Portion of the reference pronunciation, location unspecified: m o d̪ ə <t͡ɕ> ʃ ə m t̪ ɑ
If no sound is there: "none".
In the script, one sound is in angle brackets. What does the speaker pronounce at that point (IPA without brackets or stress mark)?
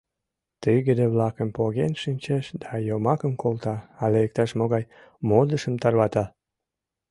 none